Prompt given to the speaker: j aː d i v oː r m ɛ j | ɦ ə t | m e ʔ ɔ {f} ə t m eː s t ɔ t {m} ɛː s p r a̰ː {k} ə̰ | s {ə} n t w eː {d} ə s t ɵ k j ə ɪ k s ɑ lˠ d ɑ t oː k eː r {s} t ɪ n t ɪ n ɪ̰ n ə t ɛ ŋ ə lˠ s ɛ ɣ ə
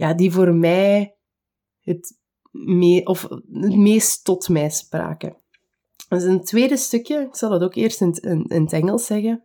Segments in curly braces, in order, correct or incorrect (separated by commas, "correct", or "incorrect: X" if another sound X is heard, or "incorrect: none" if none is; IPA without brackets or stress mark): correct, correct, correct, correct, correct, correct